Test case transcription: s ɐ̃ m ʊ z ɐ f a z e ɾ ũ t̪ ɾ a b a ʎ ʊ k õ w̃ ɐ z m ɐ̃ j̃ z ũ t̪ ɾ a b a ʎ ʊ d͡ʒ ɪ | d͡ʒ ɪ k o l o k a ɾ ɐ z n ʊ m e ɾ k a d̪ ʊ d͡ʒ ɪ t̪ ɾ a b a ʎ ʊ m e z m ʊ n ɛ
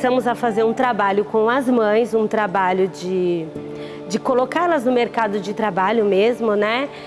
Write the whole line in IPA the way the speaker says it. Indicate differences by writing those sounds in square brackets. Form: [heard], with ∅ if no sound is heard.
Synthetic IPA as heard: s ɐ̃ m ʊ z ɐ f a z e ɾ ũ t̪ ɾ a b a ʎ ʊ k õ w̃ ɐ z m ɐ̃ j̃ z ũ t̪ ɾ a b a ʎ ʊ d͡ʒ ɪ | d͡ʒ ɪ k o l o k a [l] ɐ z n ʊ m e ɾ k a d̪ ʊ d͡ʒ ɪ t̪ ɾ a b a ʎ ʊ m e z m ʊ n ɛ